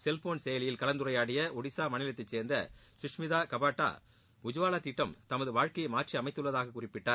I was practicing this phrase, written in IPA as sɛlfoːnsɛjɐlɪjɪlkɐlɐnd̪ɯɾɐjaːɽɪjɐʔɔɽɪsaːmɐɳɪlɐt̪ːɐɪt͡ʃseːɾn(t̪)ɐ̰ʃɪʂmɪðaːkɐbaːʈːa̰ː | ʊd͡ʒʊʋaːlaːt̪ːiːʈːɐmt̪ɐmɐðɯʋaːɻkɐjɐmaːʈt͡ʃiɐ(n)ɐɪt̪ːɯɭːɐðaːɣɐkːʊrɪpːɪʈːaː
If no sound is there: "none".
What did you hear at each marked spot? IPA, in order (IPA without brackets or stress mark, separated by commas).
d̪, m